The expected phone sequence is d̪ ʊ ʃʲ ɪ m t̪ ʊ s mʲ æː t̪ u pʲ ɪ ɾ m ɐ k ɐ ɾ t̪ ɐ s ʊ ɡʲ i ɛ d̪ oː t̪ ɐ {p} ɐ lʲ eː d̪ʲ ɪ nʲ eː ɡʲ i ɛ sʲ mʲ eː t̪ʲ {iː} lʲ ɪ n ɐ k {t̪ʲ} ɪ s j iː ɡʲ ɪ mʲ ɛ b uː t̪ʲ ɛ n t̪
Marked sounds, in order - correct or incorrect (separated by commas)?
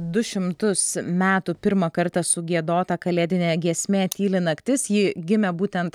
incorrect, correct, correct